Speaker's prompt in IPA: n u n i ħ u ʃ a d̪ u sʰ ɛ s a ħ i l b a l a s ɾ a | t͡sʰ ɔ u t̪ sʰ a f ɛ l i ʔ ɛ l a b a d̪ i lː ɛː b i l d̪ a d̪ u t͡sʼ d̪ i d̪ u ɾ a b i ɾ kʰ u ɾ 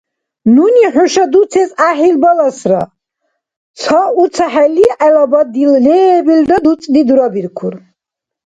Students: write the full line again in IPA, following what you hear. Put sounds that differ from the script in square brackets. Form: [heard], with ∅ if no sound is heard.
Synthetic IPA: n u n i ħ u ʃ a d̪ u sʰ ɛ s a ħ i l b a l a s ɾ a | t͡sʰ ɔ u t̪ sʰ a [ħ] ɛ l i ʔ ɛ l a b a d̪ i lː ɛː b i l d̪ a d̪ u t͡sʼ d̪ i d̪ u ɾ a b i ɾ kʰ u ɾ

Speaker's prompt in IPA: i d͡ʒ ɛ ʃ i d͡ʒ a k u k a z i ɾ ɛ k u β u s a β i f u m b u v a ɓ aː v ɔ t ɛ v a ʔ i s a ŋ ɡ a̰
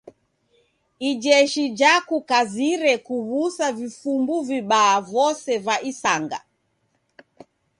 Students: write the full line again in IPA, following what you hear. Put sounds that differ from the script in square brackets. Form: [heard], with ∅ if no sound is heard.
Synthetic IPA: i d͡ʒ ɛ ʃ i d͡ʒ a k u k a z i ɾ ɛ k u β u s a [v] i f u m b u v [i] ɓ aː v ɔ [s] ɛ v a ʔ i s a ŋ ɡ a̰

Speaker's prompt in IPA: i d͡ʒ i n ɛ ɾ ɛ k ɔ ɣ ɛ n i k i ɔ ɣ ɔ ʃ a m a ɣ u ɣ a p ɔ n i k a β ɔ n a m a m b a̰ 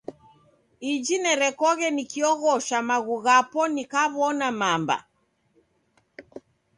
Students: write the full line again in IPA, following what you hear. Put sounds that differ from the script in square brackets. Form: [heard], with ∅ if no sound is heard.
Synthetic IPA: i d͡ʒ i n ɛ ɾ ɛ k ɔ ɣ ɛ n i k i ɔ ɣ ɔ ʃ a m a ɣ u ɣ a p ɔ n i k a β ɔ n a m a m b a̰

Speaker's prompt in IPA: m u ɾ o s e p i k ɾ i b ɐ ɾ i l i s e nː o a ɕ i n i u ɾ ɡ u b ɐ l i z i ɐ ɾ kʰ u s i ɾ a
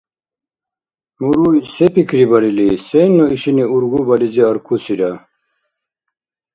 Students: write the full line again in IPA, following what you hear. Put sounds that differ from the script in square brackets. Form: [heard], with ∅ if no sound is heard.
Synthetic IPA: m u ɾ [u] s e p i k ɾ i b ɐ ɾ i l i s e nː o [i] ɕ i n i u ɾ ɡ u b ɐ l i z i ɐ ɾ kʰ u s i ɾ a

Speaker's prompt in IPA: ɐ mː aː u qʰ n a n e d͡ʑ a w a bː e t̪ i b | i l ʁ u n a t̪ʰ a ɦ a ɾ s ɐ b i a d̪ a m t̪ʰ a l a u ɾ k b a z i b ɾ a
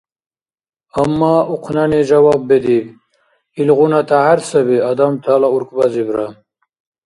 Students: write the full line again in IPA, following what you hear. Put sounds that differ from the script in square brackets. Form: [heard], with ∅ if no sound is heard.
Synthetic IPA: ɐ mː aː u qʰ n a n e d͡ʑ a w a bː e [d̪] i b | i l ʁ u n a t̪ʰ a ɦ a ɾ s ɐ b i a d̪ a m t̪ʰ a l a u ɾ k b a z i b ɾ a

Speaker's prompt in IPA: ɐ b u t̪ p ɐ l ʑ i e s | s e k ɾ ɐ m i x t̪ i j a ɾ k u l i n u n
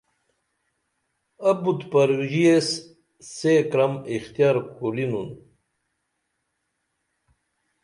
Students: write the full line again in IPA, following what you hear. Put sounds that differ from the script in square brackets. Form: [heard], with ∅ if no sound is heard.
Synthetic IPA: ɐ b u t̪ p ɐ [ɾ] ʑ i e s | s e k ɾ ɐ m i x t̪ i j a ɾ k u l i n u n

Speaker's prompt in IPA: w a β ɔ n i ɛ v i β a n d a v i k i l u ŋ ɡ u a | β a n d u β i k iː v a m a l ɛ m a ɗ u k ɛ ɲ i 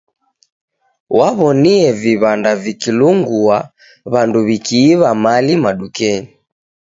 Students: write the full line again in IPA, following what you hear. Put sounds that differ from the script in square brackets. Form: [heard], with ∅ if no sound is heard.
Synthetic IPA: w a β ɔ n i ɛ v i β a n d a v i k i l u ŋ ɡ u a | β a n d u β i k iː [β] a m a l [i] m a ɗ u k ɛ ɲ i

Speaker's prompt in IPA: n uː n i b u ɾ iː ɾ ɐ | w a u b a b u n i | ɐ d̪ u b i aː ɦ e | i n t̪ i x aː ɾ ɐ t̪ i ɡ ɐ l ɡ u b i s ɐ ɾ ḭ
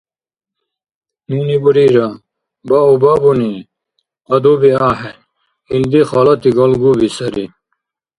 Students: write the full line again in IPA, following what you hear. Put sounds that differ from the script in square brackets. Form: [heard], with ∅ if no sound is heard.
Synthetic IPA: n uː n i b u ɾ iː ɾ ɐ | [b] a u b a b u n i | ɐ d̪ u b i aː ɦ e | i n [d̪] i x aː [l] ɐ t̪ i ɡ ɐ l ɡ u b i s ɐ ɾ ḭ

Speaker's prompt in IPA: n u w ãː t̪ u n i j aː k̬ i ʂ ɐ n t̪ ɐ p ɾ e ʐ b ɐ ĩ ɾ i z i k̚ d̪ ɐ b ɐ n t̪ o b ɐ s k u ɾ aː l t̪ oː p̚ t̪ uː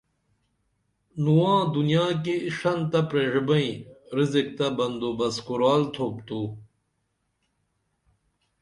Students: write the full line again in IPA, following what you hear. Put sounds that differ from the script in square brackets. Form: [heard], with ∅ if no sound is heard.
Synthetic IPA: n u w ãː [d̪] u n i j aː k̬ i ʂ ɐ n t̪ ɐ p ɾ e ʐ b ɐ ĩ ɾ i z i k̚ [t̪] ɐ b ɐ n [d̪] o b ɐ s k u ɾ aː l [t̪ʰ] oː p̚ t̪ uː

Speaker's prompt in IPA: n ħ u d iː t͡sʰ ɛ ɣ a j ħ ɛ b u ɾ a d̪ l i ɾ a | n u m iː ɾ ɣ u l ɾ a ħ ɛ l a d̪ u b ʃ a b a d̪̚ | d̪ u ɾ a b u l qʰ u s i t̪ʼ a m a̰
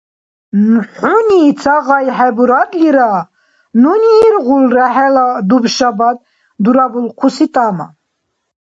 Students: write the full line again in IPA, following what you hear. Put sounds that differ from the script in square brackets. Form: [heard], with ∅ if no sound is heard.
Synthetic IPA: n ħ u [n] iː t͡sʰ [a] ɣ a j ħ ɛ b u ɾ a d̪ l i ɾ a | n u [n] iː ɾ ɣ u l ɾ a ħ ɛ l a d̪ u b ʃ a b a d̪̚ | d̪ u ɾ a b u l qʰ u s i t̪ʼ a m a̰

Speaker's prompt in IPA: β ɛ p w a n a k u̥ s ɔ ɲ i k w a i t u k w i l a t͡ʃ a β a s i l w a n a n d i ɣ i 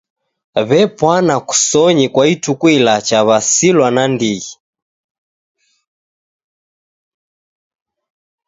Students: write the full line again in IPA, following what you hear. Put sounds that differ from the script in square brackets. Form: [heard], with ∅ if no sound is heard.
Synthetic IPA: β ɛ p w a n a k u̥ s ɔ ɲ i k w a i t u k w i l a t͡ʃ a β a s i l w a n a n d i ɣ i

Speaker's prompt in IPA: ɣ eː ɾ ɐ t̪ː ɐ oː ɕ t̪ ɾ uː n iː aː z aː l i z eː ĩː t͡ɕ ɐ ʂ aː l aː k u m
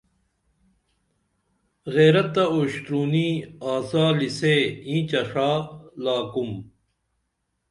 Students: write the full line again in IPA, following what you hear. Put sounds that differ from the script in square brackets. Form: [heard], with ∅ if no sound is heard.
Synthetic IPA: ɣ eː ɾ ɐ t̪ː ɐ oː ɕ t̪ ɾ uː n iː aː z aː l i [s] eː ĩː t͡ɕ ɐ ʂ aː l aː k u m

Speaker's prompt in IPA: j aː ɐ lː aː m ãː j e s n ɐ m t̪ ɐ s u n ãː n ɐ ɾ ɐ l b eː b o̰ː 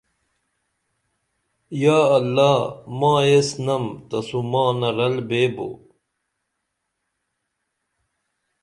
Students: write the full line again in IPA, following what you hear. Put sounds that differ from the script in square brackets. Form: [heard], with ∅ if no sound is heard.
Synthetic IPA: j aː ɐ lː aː m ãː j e s n ɐ m t̪ ɐ s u [m] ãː n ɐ ɾ ɐ l b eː b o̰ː

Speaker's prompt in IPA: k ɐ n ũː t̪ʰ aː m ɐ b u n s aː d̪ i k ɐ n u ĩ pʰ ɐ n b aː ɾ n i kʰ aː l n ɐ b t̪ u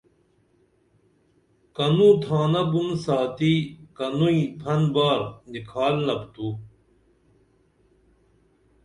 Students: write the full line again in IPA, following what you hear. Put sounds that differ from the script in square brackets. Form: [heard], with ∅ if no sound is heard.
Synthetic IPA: k ɐ n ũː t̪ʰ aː [n] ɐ b u n s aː [t̪] i k ɐ n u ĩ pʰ ɐ n b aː ɾ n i kʰ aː l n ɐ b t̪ u

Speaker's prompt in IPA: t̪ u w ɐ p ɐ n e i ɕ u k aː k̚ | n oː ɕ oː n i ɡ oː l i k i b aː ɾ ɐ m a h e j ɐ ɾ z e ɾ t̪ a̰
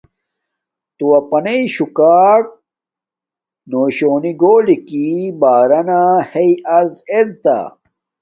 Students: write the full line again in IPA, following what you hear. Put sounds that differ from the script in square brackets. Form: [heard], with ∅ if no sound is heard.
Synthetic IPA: t̪ u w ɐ p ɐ n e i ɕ u k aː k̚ | n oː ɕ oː n i ɡ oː l i k i b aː ɾ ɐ [n] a h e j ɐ ɾ z e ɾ t̪ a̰

